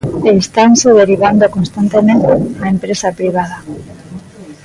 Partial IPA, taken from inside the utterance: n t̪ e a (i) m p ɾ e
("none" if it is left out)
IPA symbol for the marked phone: e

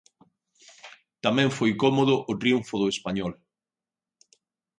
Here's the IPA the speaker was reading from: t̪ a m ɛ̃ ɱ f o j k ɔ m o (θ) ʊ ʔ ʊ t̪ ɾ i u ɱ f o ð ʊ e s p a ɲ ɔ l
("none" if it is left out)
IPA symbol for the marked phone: ð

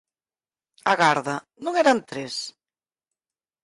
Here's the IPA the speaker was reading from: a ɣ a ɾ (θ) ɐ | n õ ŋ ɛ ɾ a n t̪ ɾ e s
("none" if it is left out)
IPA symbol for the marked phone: ð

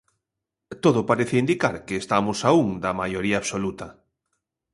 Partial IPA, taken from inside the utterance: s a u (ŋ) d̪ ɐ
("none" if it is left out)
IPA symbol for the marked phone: ŋ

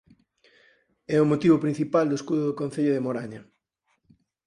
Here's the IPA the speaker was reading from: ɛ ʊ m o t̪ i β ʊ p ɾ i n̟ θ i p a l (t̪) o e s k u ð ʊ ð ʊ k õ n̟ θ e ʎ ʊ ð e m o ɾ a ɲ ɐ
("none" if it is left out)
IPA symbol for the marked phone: d̪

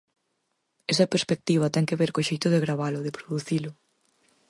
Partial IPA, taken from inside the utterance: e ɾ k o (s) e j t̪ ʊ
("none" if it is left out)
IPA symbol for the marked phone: ʃ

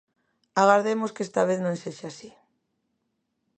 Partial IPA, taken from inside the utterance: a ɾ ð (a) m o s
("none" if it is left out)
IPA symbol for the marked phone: e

